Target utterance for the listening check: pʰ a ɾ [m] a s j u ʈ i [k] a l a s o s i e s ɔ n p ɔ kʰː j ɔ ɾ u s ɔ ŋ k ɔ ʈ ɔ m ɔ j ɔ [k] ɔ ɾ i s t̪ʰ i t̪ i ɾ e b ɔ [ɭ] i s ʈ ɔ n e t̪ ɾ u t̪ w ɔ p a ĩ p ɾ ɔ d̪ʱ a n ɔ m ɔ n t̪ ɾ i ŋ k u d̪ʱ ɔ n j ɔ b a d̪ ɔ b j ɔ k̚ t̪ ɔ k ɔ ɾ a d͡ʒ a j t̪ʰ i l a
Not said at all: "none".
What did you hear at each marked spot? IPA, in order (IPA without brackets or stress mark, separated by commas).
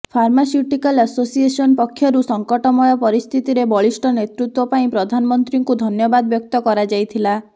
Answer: m, k, p, ɭ